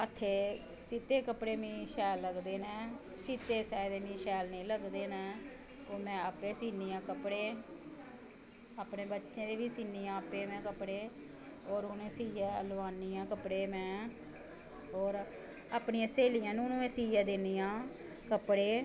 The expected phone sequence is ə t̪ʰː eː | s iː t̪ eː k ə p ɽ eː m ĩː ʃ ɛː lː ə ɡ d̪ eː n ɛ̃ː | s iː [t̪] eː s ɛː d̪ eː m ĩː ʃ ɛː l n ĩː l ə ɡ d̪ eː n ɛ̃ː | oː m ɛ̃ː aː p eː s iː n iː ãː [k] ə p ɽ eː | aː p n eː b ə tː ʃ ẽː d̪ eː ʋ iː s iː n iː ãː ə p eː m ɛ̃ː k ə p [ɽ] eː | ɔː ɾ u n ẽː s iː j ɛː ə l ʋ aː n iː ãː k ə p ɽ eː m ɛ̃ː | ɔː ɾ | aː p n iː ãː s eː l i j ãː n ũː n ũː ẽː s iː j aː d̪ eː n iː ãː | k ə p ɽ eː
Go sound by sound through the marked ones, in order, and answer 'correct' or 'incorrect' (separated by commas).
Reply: correct, correct, correct